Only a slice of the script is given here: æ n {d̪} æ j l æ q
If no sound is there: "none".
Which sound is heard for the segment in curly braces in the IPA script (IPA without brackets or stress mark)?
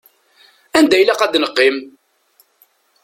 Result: d̪